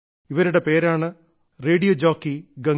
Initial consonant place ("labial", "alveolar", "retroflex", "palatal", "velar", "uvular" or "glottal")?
labial